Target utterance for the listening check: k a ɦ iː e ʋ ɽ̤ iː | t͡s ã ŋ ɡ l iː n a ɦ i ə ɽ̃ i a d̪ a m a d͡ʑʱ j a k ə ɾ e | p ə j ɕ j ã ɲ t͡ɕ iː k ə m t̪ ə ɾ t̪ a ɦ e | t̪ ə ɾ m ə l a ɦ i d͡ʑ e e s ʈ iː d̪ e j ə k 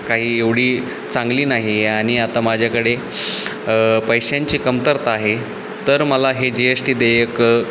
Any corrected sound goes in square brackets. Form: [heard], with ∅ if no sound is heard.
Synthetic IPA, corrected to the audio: k a ɦ iː e ʋ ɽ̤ iː | t͡s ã ŋ ɡ l iː n a ɦ i [a] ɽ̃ i a [t̪] a m a d͡ʑʱ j a k ə [ɽ] e | p ə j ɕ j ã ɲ t͡ɕ iː k ə m t̪ ə ɾ t̪ a ɦ e | t̪ ə ɾ m ə l a ɦ [e] d͡ʑ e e s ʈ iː d̪ e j ə k

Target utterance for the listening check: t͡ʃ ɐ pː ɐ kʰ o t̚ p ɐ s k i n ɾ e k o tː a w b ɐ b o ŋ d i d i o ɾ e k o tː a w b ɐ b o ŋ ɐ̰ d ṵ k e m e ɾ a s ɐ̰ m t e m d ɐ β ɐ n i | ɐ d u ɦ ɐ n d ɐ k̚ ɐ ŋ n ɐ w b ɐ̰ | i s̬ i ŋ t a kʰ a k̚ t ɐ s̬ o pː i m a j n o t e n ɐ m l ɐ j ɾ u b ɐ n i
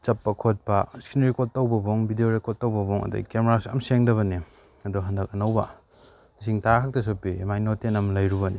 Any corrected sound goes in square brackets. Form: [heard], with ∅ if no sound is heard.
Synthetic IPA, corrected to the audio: t͡ʃ ɐ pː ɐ kʰ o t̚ p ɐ s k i n ɾ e k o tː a w b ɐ b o ŋ [b] i d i o ɾ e k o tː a w b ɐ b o ŋ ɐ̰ d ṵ k e m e ɾ a s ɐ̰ m [s] e [ŋ] d ɐ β ɐ n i | ɐ d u ɦ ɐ n d ɐ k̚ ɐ [∅] n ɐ w b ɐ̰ | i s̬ i ŋ t a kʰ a k̚ t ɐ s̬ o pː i m a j n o t e n ɐ m l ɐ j ɾ u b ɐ n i

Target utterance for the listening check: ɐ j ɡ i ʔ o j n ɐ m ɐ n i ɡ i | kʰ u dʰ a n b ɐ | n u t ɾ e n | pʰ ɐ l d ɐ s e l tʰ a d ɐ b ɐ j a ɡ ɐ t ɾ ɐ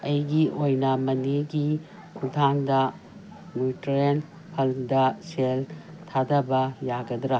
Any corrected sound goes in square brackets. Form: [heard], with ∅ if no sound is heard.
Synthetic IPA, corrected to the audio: ɐ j ɡ i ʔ o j n ɐ m ɐ n i ɡ i | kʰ u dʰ a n [d] ɐ | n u t ɾ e n | pʰ ɐ l d ɐ s e l tʰ a d ɐ b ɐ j a ɡ ɐ [d] ɾ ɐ

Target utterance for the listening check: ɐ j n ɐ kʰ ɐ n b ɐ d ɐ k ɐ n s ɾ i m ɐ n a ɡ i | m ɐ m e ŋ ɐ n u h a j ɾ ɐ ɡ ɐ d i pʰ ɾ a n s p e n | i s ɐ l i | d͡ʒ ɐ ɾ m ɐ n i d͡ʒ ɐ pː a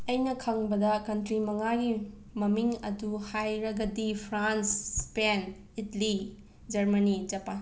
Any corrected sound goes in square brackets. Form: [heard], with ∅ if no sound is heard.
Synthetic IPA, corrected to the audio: ɐ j n ɐ kʰ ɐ [ŋ] b ɐ d ɐ k ɐ n [t] ɾ i m ɐ [ŋ] a ɡ i | m ɐ m [i] ŋ ɐ [d] u h a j ɾ ɐ ɡ ɐ d i pʰ ɾ a n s p e n | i [t] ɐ l i | d͡ʒ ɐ ɾ m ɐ n i d͡ʒ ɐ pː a

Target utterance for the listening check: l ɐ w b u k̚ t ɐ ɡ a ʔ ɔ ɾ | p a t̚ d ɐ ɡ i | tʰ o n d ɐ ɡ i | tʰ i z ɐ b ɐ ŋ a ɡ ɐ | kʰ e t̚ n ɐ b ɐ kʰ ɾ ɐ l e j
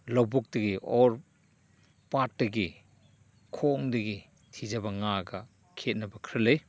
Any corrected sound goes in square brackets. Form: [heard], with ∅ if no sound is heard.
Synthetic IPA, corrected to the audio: l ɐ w b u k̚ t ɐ ɡ [i] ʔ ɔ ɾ | p a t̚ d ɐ ɡ i | [kʰ] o [ŋ] d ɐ ɡ i | tʰ i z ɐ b ɐ ŋ a ɡ ɐ | kʰ e t̚ n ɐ b ɐ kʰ ɾ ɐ l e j

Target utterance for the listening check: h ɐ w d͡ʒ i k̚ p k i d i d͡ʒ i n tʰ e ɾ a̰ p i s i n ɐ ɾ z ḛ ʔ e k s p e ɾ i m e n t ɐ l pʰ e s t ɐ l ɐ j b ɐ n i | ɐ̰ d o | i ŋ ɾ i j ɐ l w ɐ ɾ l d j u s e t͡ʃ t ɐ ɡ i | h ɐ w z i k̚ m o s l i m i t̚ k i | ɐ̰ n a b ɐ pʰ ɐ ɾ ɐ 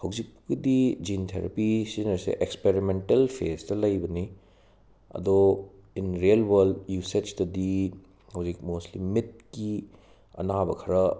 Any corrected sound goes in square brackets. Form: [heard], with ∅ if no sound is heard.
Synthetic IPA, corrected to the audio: h ɐ w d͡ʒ i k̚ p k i d i d͡ʒ i n tʰ e ɾ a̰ p i s i n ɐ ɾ [s] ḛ ʔ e k s p e ɾ i m e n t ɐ l pʰ e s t ɐ l ɐ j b ɐ n i | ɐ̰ d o | i [n] ɾ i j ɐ l w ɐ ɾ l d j u s e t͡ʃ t ɐ [d] i | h ɐ w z i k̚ m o s l i m i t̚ k i | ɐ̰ n a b ɐ [kʰ] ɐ ɾ ɐ

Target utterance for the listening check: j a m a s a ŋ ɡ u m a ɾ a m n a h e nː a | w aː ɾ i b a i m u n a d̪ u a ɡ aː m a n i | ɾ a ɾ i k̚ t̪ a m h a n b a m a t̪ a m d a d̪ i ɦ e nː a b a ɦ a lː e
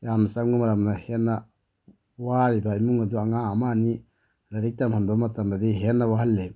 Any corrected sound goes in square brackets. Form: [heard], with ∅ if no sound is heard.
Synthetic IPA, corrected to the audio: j a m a s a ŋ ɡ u m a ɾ a m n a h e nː a | w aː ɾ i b a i m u [ŋ] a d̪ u a [ŋ] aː m a n i | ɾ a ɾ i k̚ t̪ a m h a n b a m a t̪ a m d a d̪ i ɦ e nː a [w] a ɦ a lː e

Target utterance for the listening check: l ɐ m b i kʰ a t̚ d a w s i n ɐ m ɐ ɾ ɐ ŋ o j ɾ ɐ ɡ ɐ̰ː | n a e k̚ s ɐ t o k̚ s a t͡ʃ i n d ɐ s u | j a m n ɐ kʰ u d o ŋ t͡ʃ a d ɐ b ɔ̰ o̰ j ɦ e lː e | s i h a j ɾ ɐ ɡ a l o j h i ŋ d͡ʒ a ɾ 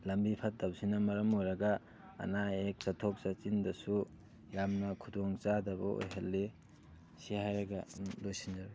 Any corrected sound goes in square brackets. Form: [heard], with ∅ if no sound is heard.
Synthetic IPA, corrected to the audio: l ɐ m b i [pʰ] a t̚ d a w s i n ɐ m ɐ ɾ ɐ [m] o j ɾ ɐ ɡ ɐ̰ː | n a e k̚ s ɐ [tʰ] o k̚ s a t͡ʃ i n d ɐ s u | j a m n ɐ kʰ u d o ŋ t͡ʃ a d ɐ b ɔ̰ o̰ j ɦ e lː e | s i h a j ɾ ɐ ɡ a l o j [s] i [n] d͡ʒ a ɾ

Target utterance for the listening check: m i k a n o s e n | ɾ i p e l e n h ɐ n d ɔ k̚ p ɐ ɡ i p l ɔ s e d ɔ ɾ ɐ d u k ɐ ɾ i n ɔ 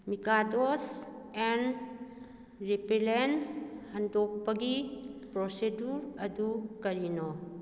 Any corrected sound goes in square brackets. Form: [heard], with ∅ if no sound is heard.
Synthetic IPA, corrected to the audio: m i k a [d] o s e n | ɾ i p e l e n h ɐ n d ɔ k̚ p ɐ ɡ i p [ɾ] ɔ s e d [u] ɾ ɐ d u k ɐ ɾ i n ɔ

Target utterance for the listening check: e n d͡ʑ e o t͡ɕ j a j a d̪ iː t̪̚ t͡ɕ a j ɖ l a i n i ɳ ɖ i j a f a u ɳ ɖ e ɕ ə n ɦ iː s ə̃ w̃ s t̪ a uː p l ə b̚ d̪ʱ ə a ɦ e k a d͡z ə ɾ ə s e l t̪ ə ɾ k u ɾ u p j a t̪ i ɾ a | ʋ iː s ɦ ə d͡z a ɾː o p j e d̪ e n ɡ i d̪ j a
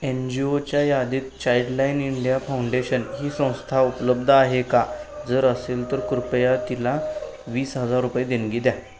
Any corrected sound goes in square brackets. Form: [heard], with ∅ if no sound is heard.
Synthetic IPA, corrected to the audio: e n d͡ʑ [i] o t͡ɕ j a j a d̪ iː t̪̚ t͡ɕ a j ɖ l a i n i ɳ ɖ i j a f a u ɳ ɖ e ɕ ə n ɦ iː s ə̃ w̃ s [t̪ʰ] a [u] p l ə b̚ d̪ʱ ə a ɦ e k a d͡z ə ɾ ə s e l t̪ ə ɾ k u ɾ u p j a t̪ i [l] a | ʋ iː s ɦ ə d͡z a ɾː [u] p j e d̪ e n ɡ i d̪ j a

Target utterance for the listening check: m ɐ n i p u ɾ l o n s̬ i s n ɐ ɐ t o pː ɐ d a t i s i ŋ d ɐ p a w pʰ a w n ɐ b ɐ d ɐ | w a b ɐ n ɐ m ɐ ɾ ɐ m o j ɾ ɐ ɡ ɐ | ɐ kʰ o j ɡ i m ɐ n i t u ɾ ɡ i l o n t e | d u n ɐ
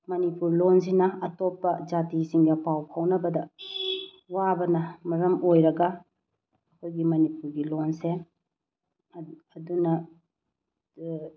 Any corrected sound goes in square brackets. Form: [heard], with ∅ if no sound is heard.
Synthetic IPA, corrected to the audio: m ɐ n i p u ɾ l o n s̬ i [∅] n ɐ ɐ t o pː ɐ [d͡ʒ] a t i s i ŋ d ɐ p a w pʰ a w n ɐ b ɐ d ɐ | w a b ɐ n ɐ m ɐ ɾ ɐ m o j ɾ ɐ ɡ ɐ | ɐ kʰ o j ɡ i m ɐ n i [p] u ɾ ɡ i l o n [s] e | d u n ɐ

